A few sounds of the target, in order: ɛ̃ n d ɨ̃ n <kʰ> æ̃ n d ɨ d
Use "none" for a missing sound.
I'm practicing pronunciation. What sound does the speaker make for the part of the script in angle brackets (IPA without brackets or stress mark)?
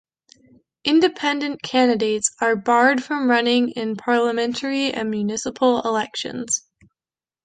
kʰ